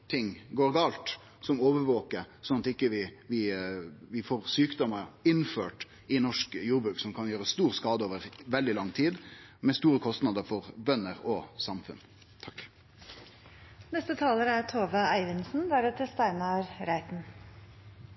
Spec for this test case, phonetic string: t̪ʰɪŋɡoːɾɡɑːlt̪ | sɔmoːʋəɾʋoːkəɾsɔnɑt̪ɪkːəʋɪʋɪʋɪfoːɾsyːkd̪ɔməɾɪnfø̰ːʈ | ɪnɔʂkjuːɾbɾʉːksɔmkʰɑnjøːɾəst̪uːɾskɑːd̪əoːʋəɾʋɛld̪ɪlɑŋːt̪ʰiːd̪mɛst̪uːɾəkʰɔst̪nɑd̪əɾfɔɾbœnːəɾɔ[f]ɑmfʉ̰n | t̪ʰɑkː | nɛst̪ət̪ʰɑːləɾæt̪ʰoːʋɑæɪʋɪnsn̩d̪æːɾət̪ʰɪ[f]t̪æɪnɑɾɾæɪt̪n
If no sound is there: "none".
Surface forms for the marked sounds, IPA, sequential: s, s

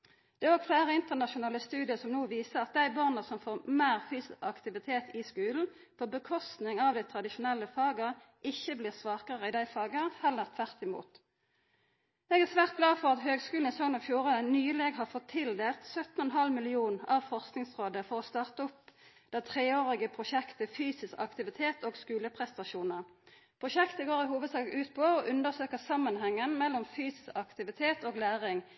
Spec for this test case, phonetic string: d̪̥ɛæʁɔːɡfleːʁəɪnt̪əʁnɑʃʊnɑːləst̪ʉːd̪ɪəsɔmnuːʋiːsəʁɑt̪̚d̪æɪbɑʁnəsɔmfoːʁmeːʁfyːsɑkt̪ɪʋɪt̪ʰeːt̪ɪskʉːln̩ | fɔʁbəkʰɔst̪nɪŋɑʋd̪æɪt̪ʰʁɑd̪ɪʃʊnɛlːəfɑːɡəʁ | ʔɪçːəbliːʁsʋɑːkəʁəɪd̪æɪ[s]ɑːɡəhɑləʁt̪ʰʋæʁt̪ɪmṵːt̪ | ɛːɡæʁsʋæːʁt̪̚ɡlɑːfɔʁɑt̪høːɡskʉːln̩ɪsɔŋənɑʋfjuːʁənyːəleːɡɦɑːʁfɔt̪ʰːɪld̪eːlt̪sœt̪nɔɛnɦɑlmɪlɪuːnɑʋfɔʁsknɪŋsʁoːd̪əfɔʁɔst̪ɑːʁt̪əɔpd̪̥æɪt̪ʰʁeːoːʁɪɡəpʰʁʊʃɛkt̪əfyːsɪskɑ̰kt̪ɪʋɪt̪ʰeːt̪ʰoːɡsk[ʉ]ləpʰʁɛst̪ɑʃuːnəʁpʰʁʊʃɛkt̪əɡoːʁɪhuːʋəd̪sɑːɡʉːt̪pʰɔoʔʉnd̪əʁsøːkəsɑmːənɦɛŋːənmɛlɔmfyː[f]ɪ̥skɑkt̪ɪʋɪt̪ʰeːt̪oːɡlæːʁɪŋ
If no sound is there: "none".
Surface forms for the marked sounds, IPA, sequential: f, ʉː, s

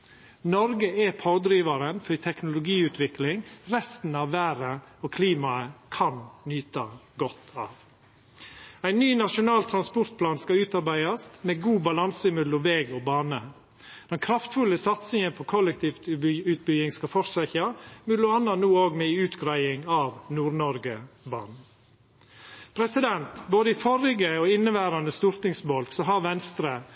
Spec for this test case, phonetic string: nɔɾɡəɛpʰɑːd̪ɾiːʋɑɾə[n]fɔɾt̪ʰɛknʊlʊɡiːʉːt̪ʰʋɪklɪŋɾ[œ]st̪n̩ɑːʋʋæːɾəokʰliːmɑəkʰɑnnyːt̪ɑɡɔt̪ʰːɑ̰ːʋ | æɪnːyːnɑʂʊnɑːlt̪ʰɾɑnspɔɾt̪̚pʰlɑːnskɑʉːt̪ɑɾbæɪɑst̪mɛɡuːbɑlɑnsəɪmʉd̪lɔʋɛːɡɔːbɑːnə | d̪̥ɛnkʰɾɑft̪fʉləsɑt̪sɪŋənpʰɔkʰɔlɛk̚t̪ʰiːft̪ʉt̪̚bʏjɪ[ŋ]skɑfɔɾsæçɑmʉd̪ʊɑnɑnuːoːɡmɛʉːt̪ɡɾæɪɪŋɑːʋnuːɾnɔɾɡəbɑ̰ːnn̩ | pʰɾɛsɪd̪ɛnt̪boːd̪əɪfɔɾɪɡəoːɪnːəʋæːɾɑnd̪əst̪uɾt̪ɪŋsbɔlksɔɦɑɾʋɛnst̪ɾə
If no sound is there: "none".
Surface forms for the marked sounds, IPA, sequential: n, ɛ, ŋ

